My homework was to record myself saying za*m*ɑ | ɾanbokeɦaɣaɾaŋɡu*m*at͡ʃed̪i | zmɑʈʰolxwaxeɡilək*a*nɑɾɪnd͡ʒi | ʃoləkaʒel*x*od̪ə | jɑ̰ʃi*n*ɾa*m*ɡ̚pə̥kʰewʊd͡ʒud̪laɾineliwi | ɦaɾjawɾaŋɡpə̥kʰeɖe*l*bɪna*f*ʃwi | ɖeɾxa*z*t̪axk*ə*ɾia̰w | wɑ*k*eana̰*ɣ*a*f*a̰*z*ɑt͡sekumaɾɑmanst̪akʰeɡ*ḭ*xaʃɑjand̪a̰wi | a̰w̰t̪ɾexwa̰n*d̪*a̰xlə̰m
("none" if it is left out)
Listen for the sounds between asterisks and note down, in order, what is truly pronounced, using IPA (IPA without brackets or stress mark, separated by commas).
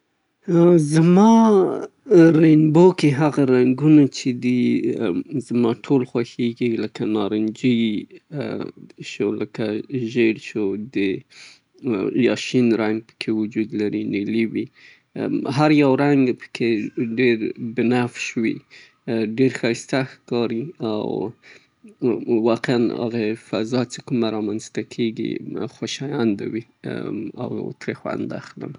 m, n, a, ʃ, n, ŋ, ɾ, f, s, ɑ, q, ɣ, f, z, ḭ, d̪